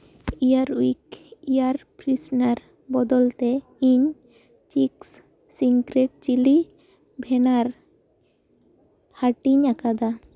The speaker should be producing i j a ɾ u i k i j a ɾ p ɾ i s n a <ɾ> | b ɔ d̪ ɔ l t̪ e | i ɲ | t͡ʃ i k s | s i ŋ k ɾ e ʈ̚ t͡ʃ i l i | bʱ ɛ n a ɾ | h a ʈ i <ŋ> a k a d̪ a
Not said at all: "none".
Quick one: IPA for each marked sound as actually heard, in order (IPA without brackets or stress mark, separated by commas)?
ɾ, ɲ